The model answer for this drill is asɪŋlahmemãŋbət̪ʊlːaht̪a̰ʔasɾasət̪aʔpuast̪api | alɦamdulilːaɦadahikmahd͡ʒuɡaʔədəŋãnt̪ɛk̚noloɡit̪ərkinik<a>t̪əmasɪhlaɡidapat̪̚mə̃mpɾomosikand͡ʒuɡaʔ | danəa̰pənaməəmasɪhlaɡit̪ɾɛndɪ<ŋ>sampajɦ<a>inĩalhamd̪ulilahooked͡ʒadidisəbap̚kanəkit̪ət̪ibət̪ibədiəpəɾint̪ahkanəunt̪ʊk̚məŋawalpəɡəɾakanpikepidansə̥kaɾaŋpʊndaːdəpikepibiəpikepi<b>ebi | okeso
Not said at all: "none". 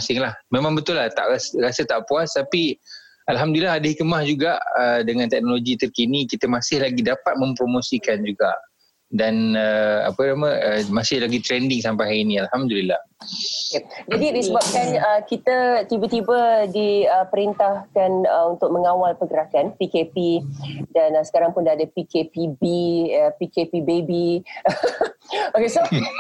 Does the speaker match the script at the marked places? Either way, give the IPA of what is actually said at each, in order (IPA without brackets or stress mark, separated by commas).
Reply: i, ŋ, a, b